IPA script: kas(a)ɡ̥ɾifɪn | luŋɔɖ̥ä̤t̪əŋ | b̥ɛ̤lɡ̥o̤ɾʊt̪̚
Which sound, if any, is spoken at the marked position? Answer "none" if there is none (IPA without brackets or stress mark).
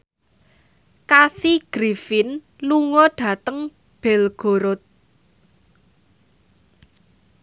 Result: i